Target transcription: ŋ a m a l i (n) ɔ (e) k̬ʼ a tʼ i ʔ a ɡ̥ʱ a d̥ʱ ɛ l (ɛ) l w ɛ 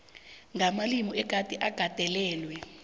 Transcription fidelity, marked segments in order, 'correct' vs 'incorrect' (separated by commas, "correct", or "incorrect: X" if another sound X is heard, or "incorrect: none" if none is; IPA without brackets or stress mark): incorrect: m, incorrect: ɛ, incorrect: ɛː